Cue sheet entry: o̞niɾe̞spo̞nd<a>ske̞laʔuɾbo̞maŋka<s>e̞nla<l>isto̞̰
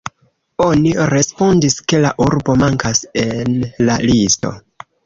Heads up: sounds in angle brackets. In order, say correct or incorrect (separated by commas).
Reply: incorrect, correct, correct